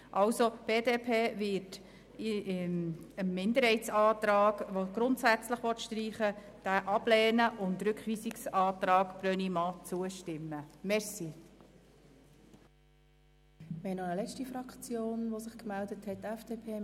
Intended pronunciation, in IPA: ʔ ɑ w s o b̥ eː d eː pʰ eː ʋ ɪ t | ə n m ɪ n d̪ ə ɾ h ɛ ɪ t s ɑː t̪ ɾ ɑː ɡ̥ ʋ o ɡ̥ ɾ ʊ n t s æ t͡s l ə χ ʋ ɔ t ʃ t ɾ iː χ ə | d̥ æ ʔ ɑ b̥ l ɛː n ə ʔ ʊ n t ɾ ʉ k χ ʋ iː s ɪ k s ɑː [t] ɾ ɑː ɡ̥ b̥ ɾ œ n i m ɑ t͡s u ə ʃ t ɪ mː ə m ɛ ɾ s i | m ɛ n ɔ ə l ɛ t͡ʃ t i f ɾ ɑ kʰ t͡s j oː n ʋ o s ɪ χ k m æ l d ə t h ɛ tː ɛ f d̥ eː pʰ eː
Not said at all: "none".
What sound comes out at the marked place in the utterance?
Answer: t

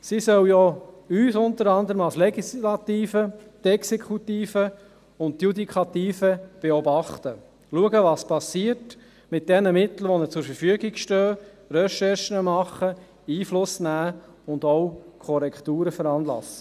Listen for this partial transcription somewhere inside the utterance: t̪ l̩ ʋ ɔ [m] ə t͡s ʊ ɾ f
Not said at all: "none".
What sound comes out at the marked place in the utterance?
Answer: n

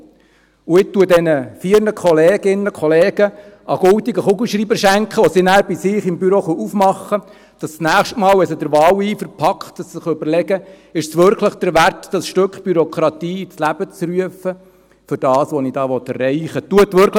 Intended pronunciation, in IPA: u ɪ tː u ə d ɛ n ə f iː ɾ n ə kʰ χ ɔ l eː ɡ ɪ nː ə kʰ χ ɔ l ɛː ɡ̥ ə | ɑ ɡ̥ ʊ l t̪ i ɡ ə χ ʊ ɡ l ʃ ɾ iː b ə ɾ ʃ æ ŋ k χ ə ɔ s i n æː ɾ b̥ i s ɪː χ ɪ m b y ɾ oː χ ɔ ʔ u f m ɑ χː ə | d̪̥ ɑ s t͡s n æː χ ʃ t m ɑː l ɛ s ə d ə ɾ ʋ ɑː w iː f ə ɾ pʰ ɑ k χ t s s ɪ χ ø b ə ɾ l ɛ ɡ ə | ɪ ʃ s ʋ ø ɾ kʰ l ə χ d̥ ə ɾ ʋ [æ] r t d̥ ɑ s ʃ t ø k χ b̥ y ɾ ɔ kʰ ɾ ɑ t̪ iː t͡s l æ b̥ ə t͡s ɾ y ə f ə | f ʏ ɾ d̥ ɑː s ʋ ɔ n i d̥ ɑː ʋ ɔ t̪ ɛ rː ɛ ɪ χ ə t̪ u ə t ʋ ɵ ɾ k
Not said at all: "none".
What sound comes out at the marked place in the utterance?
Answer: æ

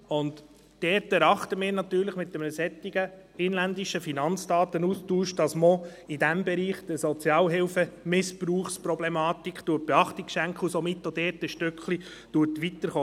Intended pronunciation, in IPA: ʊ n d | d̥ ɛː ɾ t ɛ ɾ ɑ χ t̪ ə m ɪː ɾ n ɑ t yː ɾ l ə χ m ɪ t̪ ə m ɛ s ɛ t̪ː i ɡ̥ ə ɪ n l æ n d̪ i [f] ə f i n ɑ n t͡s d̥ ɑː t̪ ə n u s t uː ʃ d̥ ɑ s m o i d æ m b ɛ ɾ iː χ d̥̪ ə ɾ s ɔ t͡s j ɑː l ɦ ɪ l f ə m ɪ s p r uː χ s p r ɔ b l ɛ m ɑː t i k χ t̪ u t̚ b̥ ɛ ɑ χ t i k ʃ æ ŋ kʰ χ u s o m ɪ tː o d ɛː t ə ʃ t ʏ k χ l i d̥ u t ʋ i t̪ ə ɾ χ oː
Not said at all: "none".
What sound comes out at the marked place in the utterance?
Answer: ʃ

